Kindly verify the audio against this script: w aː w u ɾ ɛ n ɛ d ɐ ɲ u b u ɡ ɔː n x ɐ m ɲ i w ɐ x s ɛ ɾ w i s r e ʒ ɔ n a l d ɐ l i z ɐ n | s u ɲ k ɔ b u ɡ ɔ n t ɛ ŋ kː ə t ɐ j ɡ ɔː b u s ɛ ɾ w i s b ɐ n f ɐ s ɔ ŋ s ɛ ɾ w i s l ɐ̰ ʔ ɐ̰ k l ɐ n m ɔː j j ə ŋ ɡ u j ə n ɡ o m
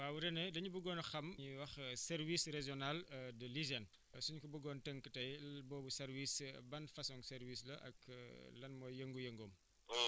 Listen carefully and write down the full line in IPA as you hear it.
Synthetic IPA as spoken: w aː w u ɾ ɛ n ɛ d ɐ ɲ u b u ɡ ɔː n x ɐ m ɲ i w ɐ x s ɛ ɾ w i s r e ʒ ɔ n a l d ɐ l i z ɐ n | s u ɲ k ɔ b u ɡ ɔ n t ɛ ŋ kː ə t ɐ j b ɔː b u s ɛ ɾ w i s b ɐ n f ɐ s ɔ ŋ s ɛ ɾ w i s l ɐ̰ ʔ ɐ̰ k l ɐ n m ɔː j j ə ŋ ɡ u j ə ŋ ɡ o m